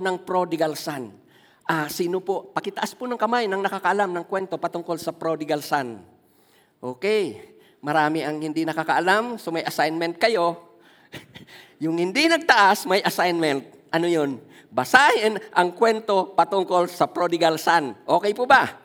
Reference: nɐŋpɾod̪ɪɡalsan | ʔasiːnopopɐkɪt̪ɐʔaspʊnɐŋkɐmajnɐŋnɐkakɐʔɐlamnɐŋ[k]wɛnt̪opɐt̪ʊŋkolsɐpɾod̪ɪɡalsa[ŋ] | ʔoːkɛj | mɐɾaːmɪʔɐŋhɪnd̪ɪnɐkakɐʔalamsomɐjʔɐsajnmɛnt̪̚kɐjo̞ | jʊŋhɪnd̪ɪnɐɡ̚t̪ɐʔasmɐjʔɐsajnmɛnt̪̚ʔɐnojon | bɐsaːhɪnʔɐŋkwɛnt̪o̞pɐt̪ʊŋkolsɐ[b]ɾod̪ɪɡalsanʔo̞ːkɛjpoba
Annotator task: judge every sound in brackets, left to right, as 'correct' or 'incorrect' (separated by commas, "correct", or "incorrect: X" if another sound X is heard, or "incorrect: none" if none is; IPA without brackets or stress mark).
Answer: correct, incorrect: n, incorrect: p